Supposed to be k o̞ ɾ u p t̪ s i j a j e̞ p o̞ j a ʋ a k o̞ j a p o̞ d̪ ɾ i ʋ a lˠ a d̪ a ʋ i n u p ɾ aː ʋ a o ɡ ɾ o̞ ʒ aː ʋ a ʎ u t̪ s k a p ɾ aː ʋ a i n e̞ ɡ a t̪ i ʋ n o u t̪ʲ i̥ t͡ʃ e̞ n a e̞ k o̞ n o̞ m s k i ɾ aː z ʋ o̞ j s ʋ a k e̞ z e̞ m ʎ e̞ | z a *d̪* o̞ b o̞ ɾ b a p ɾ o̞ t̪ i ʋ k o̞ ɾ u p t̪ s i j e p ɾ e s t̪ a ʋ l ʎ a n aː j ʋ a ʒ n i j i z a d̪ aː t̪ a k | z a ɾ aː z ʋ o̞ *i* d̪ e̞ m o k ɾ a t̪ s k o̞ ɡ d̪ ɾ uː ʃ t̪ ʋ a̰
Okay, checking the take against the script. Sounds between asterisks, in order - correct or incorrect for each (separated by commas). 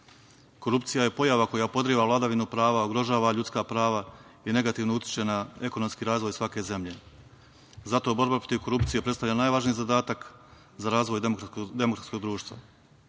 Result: incorrect, incorrect